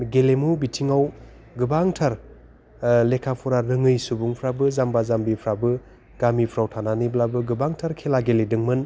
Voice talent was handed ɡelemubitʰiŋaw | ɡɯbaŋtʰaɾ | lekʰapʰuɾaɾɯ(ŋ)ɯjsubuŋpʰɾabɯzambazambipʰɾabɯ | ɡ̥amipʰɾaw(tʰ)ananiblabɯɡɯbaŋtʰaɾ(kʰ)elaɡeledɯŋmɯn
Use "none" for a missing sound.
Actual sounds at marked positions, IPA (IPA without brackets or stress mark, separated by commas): ŋ, tʰ, kʰ